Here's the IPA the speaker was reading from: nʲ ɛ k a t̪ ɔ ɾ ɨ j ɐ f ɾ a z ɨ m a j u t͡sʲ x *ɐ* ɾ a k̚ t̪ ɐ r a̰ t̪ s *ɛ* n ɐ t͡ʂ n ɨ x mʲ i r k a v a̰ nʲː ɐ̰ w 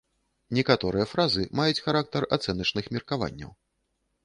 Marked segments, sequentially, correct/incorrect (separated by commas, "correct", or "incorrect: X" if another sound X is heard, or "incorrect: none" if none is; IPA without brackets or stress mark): incorrect: a, correct